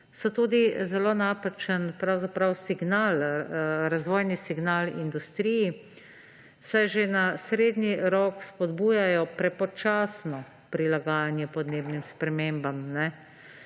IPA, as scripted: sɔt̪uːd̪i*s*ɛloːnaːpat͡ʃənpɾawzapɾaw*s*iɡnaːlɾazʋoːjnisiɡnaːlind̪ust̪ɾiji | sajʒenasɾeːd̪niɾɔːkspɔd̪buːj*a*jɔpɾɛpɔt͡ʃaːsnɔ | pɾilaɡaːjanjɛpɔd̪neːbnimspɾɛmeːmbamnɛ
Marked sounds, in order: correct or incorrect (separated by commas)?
incorrect, correct, correct